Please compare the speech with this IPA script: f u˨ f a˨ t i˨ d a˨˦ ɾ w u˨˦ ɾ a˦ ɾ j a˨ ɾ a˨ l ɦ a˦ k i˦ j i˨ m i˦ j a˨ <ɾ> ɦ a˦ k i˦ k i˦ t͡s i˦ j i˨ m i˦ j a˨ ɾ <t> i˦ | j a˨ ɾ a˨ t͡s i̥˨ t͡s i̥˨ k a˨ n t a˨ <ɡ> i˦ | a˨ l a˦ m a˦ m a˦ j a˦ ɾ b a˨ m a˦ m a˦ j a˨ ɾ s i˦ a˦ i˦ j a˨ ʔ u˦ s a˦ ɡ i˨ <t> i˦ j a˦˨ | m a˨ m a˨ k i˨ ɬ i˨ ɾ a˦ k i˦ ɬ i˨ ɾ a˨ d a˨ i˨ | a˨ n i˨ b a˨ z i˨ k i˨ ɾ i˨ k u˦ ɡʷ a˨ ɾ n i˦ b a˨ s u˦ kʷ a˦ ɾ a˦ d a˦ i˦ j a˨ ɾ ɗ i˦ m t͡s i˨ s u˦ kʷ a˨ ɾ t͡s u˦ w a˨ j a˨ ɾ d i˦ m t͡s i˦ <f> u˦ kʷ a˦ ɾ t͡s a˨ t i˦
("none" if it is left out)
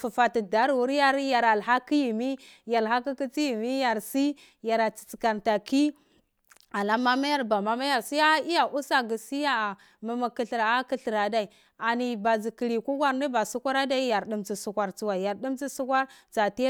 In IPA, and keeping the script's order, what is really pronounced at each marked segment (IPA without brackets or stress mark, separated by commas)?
l, s, k, s, s